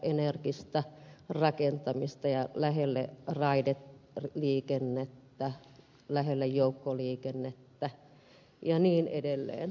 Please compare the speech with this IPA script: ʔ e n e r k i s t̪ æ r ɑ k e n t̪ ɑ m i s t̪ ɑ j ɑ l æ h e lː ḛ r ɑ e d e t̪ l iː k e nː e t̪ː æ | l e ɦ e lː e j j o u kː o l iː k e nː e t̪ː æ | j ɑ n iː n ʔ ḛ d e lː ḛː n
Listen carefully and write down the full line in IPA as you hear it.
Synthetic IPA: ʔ e n e r k i s t̪ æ r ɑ k e n t̪ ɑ m i s t̪ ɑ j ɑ l æ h e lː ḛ r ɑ i d e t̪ l iː k e nː e t̪ː æ | l æ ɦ e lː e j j o u kː o l iː k e nː e t̪ː æ | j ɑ n iː n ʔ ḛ d e lː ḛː n

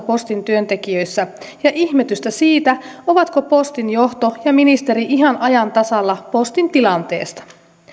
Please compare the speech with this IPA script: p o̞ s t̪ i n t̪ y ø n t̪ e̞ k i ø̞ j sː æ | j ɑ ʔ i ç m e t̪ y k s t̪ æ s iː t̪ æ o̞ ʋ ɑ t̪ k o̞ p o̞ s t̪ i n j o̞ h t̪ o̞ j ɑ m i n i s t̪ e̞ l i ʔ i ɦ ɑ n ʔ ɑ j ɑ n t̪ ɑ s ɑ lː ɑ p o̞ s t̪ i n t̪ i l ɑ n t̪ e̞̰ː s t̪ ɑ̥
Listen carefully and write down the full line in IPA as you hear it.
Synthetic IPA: p o̞ s t̪ i n t̪ y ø n t̪ e̞ k i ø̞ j sː æ | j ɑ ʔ i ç m e t̪ y s t̪ æ s iː t̪ æ o̞ ʋ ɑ t̪ k o̞ p o̞ s t̪ i n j o̞ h t̪ o̞ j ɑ m i n i s t̪ e̞ ɾ i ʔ i ɦ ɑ n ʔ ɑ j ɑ n t̪ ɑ s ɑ lː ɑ p o̞ s t̪ i n t̪ i l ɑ n t̪ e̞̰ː s t̪ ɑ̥

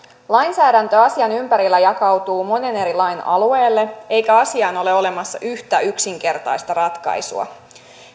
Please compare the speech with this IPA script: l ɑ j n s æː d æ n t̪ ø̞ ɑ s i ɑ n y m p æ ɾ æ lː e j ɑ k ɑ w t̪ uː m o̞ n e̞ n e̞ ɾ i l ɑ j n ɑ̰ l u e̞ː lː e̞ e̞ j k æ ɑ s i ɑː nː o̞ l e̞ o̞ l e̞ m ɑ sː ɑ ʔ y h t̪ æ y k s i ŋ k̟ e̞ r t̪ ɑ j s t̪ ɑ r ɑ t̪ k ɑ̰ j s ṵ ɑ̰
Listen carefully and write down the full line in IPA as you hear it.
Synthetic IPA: l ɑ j n s æː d æ n t̪ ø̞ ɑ s i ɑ n y m p æ ɾ i lː æ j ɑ k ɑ w t̪ uː m o̞ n e̞ n e̞ ɾ i l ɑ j n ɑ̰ l u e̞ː lː e̞ e̞ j k æ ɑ s i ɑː n o̞ l e̞ o̞ l e̞ m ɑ sː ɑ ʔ y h t̪ æ y k s i ŋ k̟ e̞ r t̪ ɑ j s t̪ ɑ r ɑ t̪ k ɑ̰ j s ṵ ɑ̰

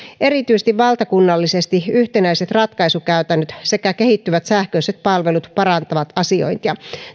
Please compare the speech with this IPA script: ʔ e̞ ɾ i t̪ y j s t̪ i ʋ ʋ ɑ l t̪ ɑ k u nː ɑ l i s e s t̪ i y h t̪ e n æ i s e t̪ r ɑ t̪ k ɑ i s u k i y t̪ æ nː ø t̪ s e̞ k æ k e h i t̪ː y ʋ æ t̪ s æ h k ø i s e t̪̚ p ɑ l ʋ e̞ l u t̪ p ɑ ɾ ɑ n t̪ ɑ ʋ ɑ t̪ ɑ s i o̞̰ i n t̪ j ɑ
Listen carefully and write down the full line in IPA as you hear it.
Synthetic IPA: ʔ e̞ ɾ i t̪ y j s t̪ i ʋ ʋ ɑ l t̪ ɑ k u nː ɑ lː i s e s t̪ i y h t̪ e n æ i s e t̪ r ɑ t̪ k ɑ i s u k æ y t̪ æ nː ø t̪ s e̞ k æ k e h i t̪ː y ʋ æ t̪ s æ h k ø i s e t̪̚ p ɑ l ʋ e̞ l u t̪ p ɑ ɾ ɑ n t̪ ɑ ʋ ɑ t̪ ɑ s i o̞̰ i n t̪ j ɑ

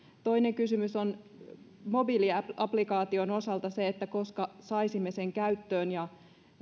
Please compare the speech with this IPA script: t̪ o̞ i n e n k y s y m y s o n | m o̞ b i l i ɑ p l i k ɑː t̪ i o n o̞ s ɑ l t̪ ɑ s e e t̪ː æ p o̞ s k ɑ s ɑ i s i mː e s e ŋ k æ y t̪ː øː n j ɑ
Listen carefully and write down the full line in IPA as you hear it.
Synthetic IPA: t̪ o̞ i n e ŋ k y s y m y s o n | m o̞ b i l i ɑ p l i k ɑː t̪ i o n o̞ s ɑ l t̪ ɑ s e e t̪ː æ k o̞ s k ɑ s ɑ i s i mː e s e ŋ k æ y t̪ː øː n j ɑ

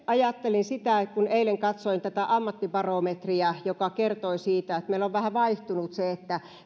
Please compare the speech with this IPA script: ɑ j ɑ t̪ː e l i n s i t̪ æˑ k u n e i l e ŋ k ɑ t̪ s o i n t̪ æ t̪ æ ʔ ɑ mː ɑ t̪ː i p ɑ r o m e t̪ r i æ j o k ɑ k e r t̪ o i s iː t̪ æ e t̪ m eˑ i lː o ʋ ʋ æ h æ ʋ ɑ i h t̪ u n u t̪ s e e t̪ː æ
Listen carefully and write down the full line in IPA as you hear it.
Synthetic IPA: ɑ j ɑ t̪ː e l i n s i t̪ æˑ k u n e i l e ŋ k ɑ t̪ s o i n t̪ æ t̪ æ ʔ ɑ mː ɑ t̪ː i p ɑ r o m e t̪ r i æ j o k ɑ k e r t̪ o i s iː t̪ æ e t̪ m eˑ i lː o ʋ ʋ æ h æ ʋ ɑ i h t̪ u n u t̪ s e e t̪ː æ

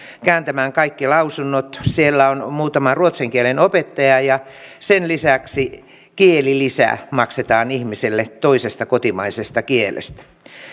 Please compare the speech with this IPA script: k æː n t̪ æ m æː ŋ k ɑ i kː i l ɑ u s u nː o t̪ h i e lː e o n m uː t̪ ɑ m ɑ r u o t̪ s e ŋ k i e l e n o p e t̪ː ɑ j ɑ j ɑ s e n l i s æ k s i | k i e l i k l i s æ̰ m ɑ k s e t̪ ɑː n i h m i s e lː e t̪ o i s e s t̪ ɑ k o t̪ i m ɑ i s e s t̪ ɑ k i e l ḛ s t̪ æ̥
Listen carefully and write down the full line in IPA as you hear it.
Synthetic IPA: k æː n t̪ æ m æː ŋ k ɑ i kː i l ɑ u s u nː o t̪ s i e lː æ o n m uː t̪ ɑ m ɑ r u o t̪ s e ŋ k i e l e n o p e t̪ː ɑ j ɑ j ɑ s e n l i s æ k s i | k i e l i l i s æ̰ m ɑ k s e t̪ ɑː n i h m i s e lː e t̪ o i s e s t̪ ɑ k o t̪ i m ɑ i s e s t̪ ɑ k i e l ḛ s t̪ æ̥

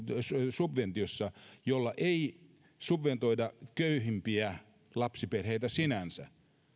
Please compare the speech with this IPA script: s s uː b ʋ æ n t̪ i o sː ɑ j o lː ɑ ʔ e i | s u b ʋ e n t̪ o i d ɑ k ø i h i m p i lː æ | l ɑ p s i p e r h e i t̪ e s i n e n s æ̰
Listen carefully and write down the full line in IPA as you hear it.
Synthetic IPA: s s u b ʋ e n t̪ i o sː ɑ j o lː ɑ ʔ e i | s u b ʋ e n t̪ o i d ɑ k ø y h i m p i æ | l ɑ p s i p e r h e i t̪ æ s i n æ n s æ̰

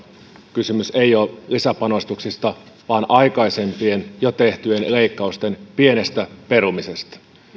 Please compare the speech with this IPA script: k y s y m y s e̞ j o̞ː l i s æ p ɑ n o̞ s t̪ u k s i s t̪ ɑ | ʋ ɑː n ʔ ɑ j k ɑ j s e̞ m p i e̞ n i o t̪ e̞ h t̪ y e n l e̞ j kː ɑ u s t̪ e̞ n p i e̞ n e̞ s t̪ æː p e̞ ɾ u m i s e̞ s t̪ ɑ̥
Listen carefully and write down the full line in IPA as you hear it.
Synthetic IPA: k y s y m y s e̞ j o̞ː l i s æ p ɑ n o̞ s t̪ u k s i s t̪ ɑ | ʋ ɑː n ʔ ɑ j k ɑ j s e̞ m p i e̞ n j o t̪ e̞ h t̪ y e n l e̞ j kː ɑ u s t̪ e̞ n p i e̞ n e̞ s t̪ æ p e̞ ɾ u m i s e̞ s t̪ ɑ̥

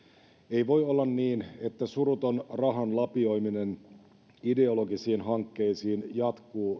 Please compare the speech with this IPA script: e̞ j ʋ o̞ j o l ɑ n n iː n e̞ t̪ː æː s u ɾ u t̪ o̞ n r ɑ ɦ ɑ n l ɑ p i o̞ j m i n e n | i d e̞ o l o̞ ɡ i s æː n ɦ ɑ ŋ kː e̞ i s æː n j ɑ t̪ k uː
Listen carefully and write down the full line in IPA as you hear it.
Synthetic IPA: e̞ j ʋ o̞ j o lː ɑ n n iː n e̞ t̪ː æ s u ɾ u t̪ o̞ n r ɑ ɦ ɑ n l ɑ p i o̞ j m i n e n | i d e̞ o l o̞ ɡ i s iː n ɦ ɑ ŋ kː e̞ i s iː n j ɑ t̪ k uː

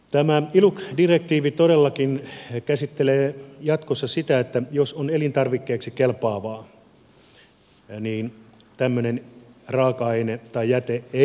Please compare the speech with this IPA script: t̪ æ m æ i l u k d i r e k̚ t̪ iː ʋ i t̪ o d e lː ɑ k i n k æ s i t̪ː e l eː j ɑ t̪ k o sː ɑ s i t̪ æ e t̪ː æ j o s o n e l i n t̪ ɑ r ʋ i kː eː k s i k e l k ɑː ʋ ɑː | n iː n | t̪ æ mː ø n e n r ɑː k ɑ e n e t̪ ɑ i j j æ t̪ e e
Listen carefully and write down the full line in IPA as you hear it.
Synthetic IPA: t̪ æ m æ i l u k d i r e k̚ t̪ iː ʋ i t̪ o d e lː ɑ k i n k æ s i t̪ː e l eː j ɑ t̪ k o sː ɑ s i t̪ æ e t̪ː æ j o s o n e l i n t̪ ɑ r ʋ i kː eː k s i k e l p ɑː ʋ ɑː | n iː n | t̪ æ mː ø n e n r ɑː k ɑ e n e t̪ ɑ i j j æ t̪ e e

